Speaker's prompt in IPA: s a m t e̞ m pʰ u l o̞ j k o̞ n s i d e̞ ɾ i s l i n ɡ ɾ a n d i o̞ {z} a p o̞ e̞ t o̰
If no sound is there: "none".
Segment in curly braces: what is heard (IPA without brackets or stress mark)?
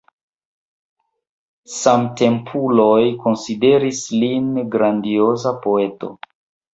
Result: z